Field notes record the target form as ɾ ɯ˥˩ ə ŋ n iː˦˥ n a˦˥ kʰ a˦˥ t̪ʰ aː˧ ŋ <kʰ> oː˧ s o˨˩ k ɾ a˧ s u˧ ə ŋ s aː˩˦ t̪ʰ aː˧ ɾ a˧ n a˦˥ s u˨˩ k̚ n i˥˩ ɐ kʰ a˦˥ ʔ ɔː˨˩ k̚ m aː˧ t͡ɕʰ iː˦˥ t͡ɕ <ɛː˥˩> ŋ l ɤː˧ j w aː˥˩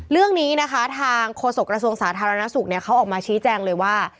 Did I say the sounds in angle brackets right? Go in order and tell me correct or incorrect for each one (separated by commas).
correct, incorrect